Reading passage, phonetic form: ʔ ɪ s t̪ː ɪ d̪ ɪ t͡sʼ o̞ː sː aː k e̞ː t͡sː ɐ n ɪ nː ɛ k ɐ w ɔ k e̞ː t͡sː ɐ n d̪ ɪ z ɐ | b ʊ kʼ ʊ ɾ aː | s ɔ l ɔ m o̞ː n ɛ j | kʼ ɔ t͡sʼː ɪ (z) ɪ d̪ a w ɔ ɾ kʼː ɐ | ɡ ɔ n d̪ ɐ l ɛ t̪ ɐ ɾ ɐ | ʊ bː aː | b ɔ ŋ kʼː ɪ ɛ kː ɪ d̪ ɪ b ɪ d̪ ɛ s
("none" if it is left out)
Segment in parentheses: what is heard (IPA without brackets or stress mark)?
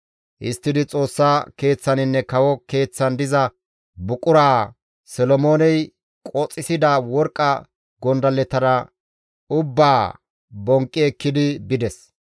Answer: s